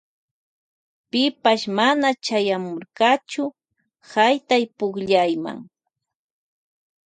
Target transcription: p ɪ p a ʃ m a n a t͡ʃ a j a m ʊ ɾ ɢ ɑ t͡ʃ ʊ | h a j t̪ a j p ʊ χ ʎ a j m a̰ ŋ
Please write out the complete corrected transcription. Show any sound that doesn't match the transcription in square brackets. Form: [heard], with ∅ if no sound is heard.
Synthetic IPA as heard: p ɪ p a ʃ m a n a t͡ʃ a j a m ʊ ɾ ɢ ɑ t͡ʃ ʊ | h a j t̪ a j p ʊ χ ʎ a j m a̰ ŋ